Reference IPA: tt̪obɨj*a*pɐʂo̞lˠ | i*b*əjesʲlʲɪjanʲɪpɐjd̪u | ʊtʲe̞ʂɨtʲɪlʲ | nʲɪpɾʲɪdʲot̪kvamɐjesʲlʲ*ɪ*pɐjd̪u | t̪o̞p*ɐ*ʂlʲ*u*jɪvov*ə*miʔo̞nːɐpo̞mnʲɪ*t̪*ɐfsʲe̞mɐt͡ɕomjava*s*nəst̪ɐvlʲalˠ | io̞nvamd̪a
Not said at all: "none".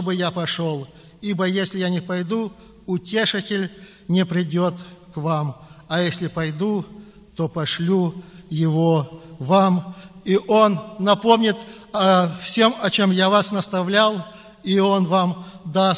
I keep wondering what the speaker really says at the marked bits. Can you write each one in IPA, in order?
a, b, ɪ, ɐ, u, a, t̪, s

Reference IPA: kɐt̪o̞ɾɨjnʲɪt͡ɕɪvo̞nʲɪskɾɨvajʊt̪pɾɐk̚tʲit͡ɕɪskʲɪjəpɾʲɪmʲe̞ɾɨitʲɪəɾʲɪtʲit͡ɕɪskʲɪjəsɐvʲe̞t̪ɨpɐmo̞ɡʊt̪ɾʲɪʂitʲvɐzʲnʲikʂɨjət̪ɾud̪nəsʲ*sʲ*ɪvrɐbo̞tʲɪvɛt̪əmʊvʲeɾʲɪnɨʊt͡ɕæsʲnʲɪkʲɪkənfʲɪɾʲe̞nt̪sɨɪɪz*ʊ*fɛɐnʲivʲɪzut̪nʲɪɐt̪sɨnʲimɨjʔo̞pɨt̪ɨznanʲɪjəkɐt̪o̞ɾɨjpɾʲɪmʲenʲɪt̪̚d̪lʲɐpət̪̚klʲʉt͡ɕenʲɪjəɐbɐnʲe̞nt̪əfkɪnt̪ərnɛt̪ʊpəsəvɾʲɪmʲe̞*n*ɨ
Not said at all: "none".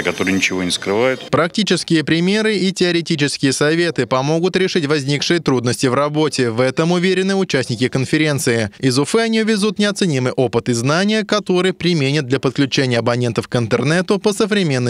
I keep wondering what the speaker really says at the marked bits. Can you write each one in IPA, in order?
tʲ, ʊ, nː

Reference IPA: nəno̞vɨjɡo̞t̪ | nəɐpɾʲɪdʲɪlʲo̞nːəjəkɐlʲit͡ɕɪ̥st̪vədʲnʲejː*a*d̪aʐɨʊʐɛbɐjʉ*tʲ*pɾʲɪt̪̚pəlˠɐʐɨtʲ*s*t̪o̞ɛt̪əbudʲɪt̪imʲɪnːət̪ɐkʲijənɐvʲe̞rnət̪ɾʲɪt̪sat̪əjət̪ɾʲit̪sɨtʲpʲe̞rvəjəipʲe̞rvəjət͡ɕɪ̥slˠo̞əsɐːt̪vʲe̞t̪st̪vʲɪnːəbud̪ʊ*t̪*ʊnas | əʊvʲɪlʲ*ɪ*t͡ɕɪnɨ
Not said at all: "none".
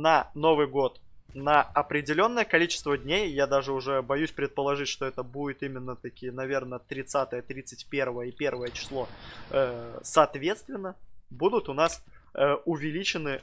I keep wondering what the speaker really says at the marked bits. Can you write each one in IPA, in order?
a, sʲ, ʂ, t̪, i

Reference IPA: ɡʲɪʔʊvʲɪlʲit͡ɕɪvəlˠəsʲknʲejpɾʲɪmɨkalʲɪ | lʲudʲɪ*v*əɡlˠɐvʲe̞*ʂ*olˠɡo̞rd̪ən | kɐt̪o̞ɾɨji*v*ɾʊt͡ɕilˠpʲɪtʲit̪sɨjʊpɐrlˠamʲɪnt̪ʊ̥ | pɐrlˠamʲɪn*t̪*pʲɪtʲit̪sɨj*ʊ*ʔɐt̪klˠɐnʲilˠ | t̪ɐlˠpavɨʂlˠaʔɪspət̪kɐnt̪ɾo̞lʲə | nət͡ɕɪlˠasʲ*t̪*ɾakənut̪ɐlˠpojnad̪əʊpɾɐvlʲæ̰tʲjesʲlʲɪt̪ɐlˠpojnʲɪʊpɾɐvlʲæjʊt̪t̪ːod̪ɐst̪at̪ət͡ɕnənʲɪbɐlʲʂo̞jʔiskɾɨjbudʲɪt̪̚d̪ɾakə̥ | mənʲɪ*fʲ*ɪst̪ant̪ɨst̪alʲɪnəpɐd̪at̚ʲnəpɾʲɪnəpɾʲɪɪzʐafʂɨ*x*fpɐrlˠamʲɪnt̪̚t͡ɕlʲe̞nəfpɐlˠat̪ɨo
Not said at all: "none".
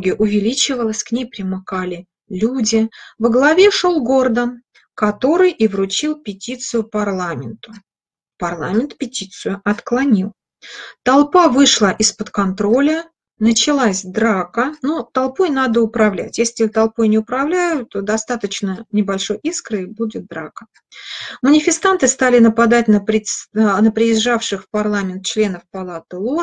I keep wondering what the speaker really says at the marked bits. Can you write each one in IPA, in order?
v, ʂ, v, t̪, ʊ, d̪, fʲ, x

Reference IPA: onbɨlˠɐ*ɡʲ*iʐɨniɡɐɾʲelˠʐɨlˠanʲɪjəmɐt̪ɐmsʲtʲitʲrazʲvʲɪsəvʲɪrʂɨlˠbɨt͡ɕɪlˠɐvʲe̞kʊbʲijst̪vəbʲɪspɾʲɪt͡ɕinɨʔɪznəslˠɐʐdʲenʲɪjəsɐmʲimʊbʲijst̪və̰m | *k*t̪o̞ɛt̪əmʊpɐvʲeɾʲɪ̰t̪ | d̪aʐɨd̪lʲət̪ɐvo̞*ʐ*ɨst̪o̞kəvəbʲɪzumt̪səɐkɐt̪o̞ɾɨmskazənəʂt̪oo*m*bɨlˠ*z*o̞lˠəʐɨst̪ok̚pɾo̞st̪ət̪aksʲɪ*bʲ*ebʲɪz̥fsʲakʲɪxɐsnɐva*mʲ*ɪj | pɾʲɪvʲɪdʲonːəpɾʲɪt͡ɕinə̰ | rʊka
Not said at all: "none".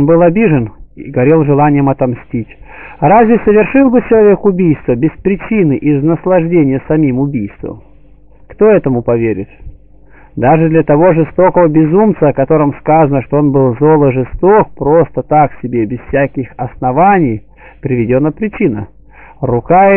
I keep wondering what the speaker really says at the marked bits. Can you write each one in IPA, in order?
bʲ, k, ʐ, n, z, bʲ, nʲ

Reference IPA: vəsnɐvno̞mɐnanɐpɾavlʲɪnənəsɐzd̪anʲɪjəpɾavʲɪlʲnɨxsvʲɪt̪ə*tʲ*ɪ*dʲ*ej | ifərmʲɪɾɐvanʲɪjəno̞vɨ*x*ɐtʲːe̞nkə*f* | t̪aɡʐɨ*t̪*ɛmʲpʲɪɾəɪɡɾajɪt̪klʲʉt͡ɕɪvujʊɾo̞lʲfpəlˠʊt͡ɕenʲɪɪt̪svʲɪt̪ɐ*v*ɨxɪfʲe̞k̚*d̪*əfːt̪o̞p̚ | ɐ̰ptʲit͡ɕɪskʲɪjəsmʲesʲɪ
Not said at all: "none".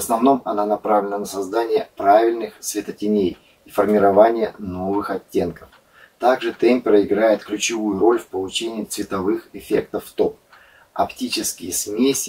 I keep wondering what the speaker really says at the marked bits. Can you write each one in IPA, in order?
tʲ, nʲ, x, f, t̪, v, t̪

